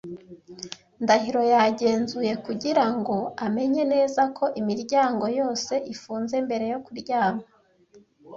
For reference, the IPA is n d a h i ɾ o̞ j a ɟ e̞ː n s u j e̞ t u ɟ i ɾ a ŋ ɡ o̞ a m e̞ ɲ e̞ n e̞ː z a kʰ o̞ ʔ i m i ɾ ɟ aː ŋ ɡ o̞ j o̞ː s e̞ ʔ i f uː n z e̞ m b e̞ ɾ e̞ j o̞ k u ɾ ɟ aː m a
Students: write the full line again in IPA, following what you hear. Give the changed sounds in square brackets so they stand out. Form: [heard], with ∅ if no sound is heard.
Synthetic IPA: n d a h i ɾ o̞ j a ɟ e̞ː n [z] u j e̞ [k] u ɟ i ɾ a ŋ ɡ o̞ a m e̞ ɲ e̞ n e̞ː z a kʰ o̞ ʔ i m i ɾ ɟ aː ŋ ɡ o̞ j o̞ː s e̞ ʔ i f uː n z e̞ m b e̞ ɾ e̞ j o̞ k u ɾ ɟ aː m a